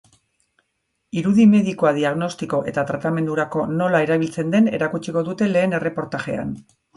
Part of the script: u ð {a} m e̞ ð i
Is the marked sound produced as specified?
no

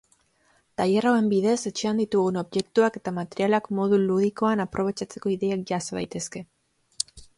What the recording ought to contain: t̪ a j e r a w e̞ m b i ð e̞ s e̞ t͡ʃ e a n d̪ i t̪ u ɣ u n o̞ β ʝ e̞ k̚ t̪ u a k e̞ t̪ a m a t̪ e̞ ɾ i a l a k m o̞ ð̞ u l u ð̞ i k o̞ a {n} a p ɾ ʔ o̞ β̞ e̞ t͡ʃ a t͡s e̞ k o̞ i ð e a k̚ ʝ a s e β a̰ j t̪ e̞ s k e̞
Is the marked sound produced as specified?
yes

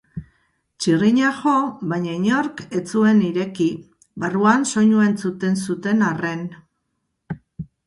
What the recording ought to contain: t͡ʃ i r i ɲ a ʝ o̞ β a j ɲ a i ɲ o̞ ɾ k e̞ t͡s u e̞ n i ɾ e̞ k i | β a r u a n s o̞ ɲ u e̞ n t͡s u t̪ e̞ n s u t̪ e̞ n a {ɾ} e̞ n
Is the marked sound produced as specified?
no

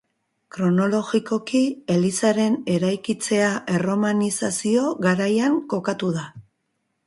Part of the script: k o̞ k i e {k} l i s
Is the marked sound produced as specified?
no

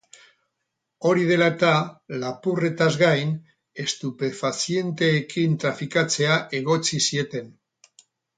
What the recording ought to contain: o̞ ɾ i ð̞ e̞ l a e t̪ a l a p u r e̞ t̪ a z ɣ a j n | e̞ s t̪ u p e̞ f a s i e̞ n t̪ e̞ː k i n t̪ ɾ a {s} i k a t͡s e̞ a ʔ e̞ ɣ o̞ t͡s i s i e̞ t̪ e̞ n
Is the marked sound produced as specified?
no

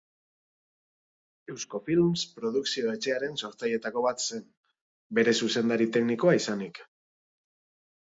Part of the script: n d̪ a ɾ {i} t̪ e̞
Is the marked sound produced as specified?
yes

